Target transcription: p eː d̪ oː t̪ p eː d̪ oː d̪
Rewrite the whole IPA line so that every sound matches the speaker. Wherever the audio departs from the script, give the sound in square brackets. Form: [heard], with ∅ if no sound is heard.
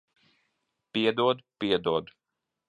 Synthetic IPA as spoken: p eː d̪ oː [d̪] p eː d̪ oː d̪